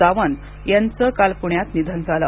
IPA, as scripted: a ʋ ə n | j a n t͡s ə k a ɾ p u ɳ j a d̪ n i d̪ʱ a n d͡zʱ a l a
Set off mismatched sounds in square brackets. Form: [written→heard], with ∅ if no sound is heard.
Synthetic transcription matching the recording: a ʋ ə n | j a n t͡s ə k a [ɾ→l] p u ɳ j a [d̪→t̪] n i d̪ʱ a n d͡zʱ a l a

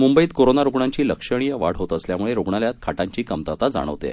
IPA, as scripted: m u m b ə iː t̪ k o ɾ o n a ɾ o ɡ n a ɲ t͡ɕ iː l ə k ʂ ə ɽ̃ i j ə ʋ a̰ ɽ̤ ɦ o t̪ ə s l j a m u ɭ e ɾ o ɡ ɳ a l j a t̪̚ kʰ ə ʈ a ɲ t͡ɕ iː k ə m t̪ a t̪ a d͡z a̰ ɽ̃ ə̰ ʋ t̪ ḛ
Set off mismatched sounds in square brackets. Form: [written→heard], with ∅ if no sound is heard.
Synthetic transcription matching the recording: m u m b ə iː t̪ k o ɾ o n a ɾ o ɡ [n→ɳ] a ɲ t͡ɕ iː l ə k ʂ ə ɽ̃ i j ə ʋ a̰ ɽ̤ ɦ o t̪ ə s l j a m u ɭ e ɾ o ɡ ɳ a l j a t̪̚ kʰ [ə→a] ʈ a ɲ t͡ɕ iː k ə m t̪ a t̪ a d͡z a̰ ɽ̃ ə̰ ʋ t̪ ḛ

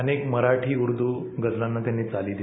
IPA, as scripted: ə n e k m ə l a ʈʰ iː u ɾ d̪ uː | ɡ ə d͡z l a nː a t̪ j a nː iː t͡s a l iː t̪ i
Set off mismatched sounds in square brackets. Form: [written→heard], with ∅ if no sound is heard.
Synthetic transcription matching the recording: ə n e k m ə [l→ɾ] a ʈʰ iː u ɾ d̪ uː | ɡ ə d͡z l a nː a t̪ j a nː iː t͡s a l iː [t̪→d̪] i

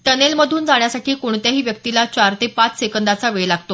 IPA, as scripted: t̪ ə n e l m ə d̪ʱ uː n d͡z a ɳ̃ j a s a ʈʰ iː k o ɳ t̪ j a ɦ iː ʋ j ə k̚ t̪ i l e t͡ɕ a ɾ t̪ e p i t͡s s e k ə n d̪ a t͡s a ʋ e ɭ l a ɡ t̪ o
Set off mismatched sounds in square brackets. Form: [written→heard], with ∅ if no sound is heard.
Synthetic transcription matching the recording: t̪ ə n e l m ə d̪ʱ uː n d͡z a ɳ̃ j a s a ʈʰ iː k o ɳ t̪ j a ɦ iː ʋ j ə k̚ t̪ i l [e→a] t͡ɕ a ɾ t̪ e p [i→a] t͡s s e k ə n d̪ a t͡s a ʋ e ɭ l a ɡ t̪ o

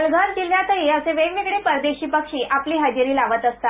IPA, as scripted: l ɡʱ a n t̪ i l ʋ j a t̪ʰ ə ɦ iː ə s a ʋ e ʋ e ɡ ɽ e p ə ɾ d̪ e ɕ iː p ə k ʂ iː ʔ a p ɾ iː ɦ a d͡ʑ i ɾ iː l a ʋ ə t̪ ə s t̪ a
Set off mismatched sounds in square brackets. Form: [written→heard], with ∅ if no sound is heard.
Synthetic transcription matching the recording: l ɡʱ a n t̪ i l ʋ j a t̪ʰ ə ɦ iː ə s [a→e] ʋ e ʋ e ɡ ɽ e p ə ɾ d̪ e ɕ iː p ə k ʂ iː ʔ a p [ɾ→l] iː ɦ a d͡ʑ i ɾ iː l a ʋ ə t̪ ə s t̪ a

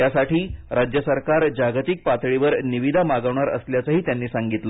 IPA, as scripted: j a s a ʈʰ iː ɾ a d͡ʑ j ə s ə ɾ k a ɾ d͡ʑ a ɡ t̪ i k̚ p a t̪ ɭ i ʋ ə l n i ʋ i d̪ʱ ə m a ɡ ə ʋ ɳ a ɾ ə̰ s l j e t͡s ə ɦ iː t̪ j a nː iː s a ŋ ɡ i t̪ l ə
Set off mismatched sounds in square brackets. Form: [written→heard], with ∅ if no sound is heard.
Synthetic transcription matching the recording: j a s a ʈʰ iː ɾ a d͡ʑ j ə s ə ɾ k a ɾ d͡ʑ a ɡ t̪ i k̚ p a t̪ ɭ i ʋ ə [l→ɾ] n i ʋ i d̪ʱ [ə→a] m a ɡ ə ʋ ɳ a ɾ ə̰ s l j [e→a] t͡s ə ɦ iː t̪ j a nː iː s a ŋ ɡ i t̪ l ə

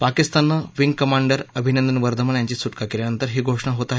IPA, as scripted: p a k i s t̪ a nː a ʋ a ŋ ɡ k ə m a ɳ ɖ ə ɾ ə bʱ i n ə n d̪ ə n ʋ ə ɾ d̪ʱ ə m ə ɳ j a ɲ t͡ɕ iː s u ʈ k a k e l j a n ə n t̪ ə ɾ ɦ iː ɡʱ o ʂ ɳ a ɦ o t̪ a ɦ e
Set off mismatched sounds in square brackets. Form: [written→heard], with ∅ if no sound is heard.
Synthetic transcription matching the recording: p a k i s t̪ a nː a ʋ [a→i] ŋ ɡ k ə m a ɳ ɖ ə ɾ ə bʱ i n ə n d̪ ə n ʋ ə ɾ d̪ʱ ə m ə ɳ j a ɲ t͡ɕ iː s u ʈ k a k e l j a n ə n t̪ ə ɾ ɦ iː ɡʱ o ʂ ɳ a ɦ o t̪ a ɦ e

